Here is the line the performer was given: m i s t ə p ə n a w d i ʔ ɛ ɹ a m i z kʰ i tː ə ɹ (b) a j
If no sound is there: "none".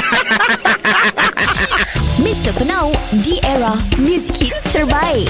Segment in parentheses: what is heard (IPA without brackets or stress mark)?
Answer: b